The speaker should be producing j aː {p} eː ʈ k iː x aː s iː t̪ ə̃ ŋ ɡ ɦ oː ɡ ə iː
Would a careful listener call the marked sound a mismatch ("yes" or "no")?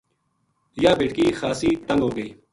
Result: yes